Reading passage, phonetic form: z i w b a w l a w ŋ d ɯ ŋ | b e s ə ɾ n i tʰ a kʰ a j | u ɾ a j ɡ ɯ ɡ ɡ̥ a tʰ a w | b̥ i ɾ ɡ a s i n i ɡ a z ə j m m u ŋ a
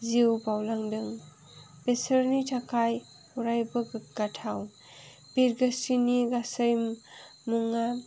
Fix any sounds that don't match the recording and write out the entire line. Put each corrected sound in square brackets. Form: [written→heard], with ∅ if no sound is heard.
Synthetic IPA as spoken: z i w b a w l a [w→∅] ŋ d ɯ ŋ | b e s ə ɾ n i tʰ a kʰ a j | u ɾ a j [ɡ→b] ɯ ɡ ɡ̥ a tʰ a w | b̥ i ɾ ɡ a s i n i ɡ a [z→s] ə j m m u ŋ a